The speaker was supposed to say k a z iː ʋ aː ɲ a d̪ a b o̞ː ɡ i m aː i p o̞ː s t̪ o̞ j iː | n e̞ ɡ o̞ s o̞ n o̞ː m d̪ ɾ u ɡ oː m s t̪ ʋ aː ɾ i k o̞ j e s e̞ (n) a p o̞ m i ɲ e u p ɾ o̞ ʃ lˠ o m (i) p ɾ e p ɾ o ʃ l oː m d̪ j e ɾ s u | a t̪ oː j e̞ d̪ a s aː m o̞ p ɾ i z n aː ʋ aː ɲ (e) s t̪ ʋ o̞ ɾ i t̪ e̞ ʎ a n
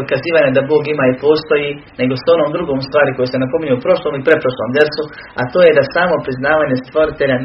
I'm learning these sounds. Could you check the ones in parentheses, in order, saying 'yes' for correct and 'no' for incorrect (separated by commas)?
yes, yes, yes